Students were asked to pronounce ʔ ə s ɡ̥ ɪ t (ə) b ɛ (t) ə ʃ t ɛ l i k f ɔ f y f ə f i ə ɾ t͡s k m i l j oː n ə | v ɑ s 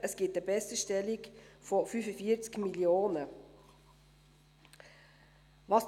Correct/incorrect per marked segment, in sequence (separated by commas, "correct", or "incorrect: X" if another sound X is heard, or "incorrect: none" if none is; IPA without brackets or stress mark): correct, incorrect: s